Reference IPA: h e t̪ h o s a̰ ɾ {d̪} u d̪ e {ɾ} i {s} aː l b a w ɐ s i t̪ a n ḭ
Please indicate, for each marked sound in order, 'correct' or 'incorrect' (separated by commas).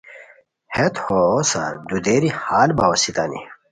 correct, correct, incorrect